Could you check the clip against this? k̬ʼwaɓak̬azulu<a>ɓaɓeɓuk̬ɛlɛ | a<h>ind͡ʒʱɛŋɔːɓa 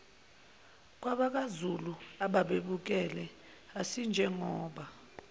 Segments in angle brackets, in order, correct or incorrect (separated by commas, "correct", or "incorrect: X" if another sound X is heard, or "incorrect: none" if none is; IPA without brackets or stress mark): correct, incorrect: s